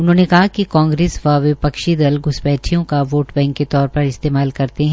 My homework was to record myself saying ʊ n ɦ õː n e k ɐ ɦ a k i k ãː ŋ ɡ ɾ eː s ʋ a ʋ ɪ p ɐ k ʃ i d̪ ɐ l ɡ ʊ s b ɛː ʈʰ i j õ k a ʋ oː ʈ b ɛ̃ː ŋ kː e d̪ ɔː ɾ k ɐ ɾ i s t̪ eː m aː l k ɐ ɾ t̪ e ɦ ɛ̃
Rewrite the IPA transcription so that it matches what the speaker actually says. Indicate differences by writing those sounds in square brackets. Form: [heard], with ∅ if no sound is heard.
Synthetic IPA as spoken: ʊ n ɦ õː n e k ɐ ɦ a k i k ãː ŋ ɡ ɾ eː s ʋ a ʋ ɪ p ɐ k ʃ i d̪ ɐ l ɡ ʊ s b ɛː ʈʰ i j õ k a ʋ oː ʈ b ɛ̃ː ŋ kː e [t̪] ɔː ɾ [p] ɐ ɾ [ɪ] s t̪ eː m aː l k ɐ ɾ t̪ e ɦ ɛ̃